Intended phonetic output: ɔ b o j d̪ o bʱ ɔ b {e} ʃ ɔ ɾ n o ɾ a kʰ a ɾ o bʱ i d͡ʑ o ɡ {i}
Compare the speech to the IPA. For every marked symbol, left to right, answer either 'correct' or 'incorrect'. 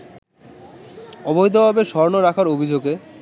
correct, incorrect: e

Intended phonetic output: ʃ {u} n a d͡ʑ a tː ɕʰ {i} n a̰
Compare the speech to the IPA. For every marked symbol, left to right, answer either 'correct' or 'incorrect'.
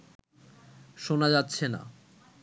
incorrect: o, incorrect: e

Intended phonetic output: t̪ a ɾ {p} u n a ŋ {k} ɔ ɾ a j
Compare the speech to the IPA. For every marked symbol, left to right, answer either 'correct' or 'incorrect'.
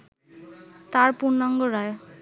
correct, incorrect: ɡ

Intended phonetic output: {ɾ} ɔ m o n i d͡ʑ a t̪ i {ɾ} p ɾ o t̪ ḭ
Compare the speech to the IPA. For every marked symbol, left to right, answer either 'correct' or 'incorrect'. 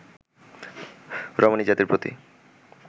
correct, correct

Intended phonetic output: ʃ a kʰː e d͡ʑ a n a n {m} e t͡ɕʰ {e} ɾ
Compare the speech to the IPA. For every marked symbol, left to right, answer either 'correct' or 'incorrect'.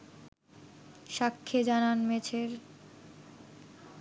correct, correct

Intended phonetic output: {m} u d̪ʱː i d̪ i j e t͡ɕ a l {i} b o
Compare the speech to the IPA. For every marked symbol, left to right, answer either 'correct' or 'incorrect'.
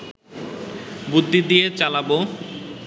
incorrect: b, incorrect: a

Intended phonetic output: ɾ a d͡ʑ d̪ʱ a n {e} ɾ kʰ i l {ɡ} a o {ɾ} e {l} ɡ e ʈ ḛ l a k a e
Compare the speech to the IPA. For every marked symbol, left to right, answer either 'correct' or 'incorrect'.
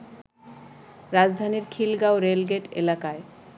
incorrect: i, correct, correct, correct

